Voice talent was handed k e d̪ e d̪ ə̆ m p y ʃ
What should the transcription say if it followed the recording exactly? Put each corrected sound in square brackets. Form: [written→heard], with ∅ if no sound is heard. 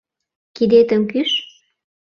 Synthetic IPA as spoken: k [e→i] d̪ e [d̪→t̪] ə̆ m [p→k] y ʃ